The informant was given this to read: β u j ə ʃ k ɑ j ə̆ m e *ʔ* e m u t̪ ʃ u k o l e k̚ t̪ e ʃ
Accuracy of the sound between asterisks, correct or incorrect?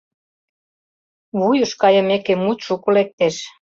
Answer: incorrect